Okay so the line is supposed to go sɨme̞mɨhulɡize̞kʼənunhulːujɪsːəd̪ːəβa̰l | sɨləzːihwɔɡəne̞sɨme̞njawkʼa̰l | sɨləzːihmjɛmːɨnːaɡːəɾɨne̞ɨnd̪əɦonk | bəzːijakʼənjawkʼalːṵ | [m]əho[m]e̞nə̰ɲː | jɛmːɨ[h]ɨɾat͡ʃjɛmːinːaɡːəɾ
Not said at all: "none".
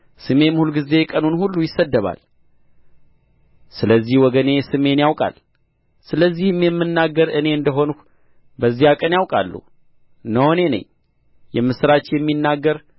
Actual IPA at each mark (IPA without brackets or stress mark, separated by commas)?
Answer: n, n, s